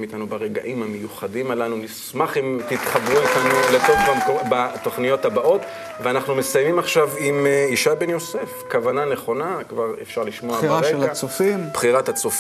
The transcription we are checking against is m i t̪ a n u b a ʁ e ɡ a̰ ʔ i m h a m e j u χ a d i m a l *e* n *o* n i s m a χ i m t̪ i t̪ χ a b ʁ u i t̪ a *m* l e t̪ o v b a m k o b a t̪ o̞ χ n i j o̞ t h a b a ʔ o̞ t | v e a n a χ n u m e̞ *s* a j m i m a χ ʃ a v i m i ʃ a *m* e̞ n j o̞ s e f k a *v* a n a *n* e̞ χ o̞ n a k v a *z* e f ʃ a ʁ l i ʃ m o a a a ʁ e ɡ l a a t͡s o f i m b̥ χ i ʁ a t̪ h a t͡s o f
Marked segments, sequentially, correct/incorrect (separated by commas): incorrect, incorrect, incorrect, correct, incorrect, correct, correct, incorrect